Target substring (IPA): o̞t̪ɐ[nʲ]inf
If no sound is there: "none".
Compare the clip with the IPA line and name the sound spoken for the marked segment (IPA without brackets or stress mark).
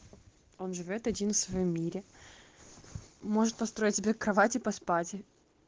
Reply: dʲ